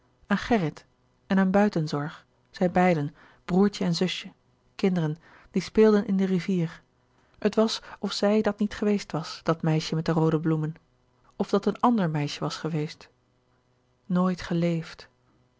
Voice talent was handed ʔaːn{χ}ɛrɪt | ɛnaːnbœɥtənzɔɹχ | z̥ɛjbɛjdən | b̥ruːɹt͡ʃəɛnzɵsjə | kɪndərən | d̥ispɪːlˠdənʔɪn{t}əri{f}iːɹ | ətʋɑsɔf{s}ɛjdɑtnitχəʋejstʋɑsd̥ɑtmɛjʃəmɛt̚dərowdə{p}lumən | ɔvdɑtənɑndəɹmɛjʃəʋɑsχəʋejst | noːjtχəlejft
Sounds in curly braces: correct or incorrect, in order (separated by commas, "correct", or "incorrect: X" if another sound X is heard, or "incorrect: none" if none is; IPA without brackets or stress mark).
correct, incorrect: d, incorrect: v, correct, incorrect: b